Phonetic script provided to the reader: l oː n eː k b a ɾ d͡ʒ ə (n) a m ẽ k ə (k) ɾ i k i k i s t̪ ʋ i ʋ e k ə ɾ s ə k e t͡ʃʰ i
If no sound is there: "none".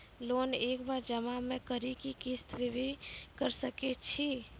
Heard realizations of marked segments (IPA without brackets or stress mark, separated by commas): m, none